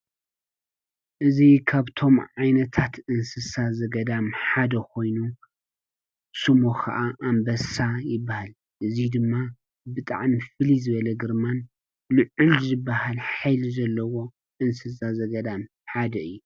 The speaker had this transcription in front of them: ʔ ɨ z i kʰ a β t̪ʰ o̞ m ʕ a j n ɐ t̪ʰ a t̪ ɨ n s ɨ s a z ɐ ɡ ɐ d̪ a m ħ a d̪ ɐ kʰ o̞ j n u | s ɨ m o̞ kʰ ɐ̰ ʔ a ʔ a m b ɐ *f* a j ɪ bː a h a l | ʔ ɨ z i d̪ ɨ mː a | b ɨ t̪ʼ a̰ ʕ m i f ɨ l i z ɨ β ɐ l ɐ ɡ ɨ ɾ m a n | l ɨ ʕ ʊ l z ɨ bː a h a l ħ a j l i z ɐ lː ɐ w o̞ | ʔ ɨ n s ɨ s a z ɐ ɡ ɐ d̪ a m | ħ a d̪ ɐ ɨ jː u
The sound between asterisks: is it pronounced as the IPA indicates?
no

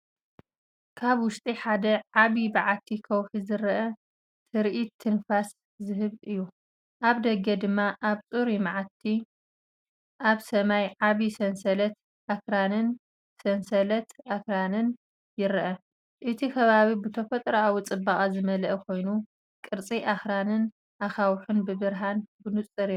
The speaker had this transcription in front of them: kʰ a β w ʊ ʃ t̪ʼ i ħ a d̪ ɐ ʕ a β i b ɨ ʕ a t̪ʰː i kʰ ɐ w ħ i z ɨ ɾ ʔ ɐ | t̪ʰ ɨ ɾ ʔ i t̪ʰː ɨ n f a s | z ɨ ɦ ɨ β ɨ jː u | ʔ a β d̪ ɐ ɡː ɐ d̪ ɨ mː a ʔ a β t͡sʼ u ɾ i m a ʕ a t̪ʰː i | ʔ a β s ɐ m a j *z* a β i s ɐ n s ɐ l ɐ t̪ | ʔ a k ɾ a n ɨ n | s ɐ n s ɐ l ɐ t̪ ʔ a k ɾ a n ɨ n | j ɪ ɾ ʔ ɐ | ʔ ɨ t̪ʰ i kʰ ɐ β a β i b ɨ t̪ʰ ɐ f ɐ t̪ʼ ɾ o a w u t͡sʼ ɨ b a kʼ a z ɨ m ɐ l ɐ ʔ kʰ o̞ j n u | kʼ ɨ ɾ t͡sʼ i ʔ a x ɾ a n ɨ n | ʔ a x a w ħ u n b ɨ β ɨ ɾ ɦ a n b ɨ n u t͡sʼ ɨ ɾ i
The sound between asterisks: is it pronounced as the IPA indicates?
no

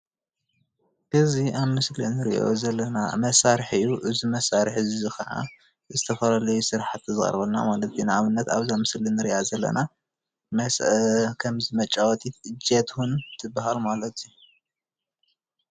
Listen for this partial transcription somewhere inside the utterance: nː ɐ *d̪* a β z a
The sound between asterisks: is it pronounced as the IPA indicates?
no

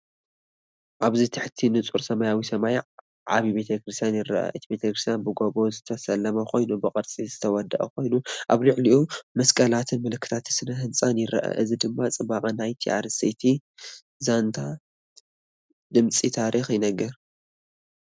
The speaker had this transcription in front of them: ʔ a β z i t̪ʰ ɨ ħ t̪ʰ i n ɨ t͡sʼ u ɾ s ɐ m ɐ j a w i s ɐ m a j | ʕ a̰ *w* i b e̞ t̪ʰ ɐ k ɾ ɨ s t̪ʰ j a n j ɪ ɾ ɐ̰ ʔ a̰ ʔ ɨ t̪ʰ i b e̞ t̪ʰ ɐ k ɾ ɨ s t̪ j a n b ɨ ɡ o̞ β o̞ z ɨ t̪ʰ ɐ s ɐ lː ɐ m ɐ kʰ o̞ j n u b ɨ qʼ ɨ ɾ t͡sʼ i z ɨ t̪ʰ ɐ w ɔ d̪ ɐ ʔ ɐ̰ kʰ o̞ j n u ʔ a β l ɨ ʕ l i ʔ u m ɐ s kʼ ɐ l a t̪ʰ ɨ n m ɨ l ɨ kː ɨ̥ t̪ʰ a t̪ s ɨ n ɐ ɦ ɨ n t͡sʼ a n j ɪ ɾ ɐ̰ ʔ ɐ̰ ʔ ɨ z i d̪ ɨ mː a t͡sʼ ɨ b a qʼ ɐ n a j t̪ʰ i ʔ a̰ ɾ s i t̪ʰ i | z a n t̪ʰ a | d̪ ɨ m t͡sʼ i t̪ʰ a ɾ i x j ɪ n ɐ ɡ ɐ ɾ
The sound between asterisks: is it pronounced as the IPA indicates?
no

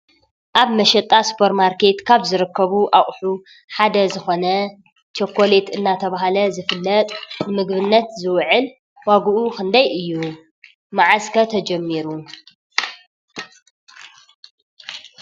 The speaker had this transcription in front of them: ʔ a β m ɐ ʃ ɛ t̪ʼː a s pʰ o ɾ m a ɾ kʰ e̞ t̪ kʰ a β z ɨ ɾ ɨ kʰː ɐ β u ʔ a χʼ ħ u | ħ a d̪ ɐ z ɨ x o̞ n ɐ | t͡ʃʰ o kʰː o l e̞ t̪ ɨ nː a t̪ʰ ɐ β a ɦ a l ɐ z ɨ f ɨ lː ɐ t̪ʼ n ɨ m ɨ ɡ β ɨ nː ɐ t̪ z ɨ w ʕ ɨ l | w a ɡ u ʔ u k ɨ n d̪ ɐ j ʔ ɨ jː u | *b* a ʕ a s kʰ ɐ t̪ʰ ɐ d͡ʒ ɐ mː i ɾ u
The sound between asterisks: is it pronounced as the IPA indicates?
no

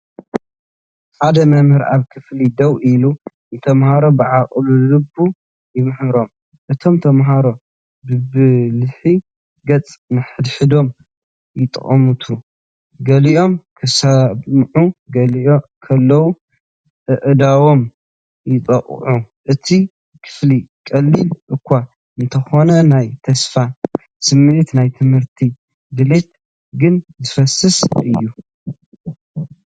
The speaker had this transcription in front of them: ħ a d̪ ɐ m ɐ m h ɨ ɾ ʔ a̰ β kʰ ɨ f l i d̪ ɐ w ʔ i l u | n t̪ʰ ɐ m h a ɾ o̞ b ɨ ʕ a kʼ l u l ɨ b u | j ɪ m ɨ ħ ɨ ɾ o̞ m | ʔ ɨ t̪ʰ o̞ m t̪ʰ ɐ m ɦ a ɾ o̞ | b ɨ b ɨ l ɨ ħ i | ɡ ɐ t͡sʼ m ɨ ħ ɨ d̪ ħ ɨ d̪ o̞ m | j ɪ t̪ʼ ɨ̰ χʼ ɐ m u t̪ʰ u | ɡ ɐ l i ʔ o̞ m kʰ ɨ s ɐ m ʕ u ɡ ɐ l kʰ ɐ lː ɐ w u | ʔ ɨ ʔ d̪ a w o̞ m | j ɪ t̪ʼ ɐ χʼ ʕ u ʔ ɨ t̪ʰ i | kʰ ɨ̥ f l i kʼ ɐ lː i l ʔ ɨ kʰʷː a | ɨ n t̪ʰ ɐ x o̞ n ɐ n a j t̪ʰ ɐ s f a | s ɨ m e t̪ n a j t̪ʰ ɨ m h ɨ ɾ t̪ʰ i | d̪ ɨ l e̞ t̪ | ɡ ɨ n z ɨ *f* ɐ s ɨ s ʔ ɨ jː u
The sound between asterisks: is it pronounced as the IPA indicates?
yes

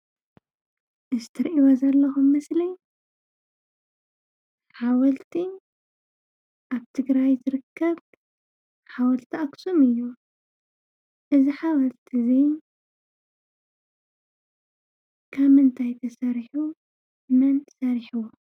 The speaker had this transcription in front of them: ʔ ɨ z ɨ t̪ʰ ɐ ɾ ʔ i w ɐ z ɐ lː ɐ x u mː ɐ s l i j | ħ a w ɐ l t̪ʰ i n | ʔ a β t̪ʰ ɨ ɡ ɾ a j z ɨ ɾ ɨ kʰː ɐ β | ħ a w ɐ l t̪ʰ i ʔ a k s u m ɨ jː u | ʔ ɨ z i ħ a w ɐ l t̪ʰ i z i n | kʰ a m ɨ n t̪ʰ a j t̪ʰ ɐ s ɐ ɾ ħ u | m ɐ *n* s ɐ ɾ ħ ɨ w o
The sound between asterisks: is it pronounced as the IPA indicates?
yes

